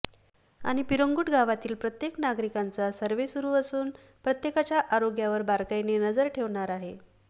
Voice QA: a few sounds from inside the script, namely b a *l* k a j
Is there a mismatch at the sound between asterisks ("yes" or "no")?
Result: yes